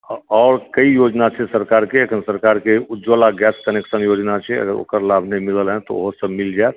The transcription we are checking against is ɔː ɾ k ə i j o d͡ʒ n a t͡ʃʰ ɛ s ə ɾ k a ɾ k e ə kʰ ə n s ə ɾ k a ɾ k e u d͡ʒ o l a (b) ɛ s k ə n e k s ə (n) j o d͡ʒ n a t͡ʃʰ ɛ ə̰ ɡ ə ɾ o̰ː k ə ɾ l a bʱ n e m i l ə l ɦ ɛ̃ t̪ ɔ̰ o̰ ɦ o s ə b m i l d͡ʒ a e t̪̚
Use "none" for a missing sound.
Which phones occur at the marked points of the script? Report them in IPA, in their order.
ɡ, n

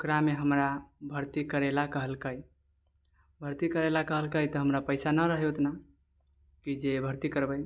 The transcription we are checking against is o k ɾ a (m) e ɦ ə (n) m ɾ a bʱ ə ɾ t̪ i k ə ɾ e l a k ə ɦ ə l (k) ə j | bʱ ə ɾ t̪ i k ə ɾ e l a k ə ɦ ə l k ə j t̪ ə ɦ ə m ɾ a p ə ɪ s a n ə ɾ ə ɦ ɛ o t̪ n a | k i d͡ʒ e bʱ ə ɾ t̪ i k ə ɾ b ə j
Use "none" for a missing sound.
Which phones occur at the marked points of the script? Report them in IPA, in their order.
m, none, k

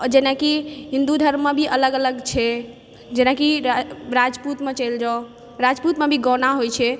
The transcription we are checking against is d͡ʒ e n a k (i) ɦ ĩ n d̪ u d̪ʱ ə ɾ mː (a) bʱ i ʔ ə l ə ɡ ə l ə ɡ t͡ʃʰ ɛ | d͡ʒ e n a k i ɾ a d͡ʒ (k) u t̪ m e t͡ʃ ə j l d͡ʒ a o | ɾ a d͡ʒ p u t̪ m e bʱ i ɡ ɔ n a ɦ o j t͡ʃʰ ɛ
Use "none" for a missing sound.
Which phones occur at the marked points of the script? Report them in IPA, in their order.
i, e, p

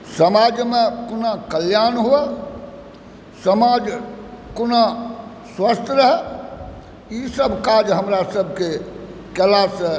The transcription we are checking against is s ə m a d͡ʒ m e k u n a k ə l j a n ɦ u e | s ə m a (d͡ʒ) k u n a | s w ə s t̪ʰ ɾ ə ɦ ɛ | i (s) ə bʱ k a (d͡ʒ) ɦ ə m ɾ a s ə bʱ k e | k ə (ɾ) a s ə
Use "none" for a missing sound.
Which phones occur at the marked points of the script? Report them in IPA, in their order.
d͡ʒ, s, d͡ʒ, l

